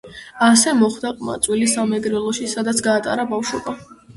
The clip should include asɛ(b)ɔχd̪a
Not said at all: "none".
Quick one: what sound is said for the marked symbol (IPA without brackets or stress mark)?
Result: m